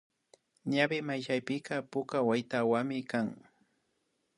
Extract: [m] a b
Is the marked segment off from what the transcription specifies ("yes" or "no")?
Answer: yes